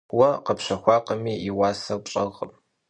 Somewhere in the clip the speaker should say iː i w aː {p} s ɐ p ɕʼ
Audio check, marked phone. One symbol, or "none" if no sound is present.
none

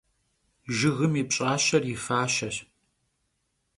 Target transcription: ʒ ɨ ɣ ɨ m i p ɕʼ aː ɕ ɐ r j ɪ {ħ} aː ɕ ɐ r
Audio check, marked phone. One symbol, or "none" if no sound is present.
f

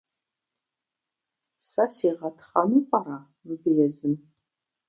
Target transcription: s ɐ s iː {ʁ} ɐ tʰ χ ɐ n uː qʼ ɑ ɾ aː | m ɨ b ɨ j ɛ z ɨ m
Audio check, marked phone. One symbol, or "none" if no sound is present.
ʁ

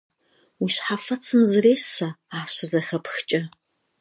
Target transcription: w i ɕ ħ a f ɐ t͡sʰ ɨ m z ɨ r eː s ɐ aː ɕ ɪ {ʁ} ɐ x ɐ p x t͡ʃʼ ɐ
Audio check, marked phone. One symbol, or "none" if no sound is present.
z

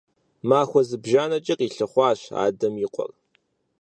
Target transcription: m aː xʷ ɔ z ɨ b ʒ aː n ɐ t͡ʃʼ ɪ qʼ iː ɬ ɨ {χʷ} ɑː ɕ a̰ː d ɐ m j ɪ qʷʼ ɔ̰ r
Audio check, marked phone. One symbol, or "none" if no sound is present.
χʷ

